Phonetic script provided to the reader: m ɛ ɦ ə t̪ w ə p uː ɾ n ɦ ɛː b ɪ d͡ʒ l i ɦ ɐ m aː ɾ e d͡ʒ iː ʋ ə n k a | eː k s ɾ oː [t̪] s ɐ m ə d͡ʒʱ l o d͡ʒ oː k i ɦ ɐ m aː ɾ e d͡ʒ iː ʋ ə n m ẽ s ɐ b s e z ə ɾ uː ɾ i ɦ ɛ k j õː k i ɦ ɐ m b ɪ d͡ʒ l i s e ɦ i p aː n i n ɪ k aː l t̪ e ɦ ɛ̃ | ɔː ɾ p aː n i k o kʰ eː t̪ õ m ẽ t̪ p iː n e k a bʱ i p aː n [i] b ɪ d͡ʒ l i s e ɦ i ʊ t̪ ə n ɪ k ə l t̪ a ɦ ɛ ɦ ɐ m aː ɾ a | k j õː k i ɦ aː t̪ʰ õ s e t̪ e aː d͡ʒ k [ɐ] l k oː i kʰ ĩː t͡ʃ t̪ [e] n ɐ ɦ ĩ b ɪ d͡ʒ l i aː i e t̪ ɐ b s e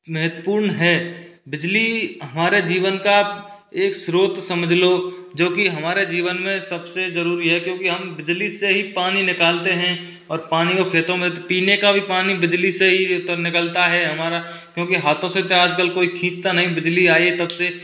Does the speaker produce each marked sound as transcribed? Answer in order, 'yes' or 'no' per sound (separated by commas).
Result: yes, yes, no, no